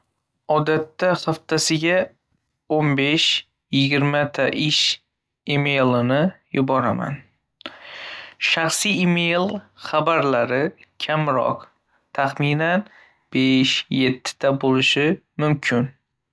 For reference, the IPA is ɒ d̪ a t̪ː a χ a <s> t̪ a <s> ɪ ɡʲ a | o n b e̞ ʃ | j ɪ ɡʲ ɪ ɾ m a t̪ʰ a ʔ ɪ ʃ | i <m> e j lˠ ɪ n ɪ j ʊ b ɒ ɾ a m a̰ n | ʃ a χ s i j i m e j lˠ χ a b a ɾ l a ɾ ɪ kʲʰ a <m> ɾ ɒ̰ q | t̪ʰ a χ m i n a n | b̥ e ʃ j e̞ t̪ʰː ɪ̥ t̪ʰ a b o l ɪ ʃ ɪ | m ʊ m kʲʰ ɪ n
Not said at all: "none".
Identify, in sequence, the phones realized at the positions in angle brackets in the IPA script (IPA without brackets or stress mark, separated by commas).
f, s, m, m